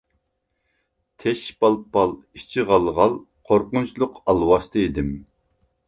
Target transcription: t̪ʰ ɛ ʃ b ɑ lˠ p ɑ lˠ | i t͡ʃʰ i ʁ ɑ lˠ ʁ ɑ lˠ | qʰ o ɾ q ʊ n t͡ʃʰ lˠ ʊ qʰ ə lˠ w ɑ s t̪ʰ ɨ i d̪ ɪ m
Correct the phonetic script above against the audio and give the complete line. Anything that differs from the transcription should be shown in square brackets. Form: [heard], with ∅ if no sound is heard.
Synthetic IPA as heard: t̪ʰ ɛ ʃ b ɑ lˠ p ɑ lˠ | i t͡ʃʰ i ʁ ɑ lˠ ʁ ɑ lˠ | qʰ o ɾ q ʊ n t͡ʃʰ lˠ ʊ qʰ [ɑ] lˠ w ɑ s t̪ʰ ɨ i d̪ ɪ m